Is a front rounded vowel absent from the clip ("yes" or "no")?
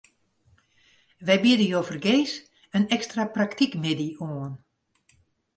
yes